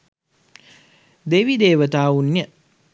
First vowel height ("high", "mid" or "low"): mid